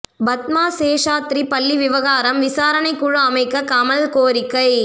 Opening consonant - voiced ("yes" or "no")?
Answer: yes